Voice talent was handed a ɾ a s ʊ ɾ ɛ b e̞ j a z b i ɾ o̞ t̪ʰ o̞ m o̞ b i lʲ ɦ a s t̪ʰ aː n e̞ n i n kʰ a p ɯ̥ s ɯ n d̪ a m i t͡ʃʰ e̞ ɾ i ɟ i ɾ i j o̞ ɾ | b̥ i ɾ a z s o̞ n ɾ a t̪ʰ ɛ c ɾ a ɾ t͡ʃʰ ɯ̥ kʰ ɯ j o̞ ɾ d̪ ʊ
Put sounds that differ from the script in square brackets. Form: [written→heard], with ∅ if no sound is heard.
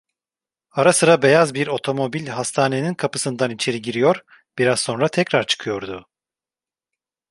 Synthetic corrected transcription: a ɾ a s [ʊ→ɯ] ɾ [ɛ→a] b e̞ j a z b i ɾ o̞ t̪ʰ o̞ m o̞ b i lʲ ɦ a s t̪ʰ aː n e̞ n i n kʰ a p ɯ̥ s ɯ n d̪ a [m→n] i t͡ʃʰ e̞ ɾ i ɟ i ɾ i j o̞ ɾ | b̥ i ɾ a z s o̞ n ɾ a t̪ʰ ɛ c ɾ a ɾ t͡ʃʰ ɯ̥ kʰ ɯ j o̞ ɾ d̪ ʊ